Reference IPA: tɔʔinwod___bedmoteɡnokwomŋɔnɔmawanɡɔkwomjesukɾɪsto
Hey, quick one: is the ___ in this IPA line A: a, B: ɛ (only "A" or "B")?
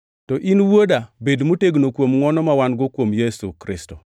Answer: A